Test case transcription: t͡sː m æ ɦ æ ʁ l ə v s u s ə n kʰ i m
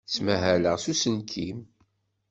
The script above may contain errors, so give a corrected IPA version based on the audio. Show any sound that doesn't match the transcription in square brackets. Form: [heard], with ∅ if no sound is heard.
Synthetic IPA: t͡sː m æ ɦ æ [∅] l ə [ʁ] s u s ə n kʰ i m